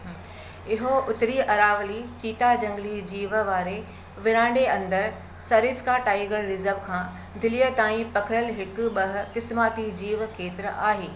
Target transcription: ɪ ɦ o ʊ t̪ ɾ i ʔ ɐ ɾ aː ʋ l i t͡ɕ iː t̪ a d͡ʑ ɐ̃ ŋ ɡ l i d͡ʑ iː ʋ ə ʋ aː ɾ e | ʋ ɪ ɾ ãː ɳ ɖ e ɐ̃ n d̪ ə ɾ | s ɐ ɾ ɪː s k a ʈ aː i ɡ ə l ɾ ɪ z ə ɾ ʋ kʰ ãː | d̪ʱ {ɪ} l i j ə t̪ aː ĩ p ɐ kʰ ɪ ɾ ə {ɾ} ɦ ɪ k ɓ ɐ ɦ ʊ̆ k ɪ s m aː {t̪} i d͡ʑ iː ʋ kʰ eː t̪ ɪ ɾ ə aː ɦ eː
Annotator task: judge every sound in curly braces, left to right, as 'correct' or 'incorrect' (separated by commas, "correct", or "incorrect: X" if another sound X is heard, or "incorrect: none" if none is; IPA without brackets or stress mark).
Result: correct, incorrect: l, correct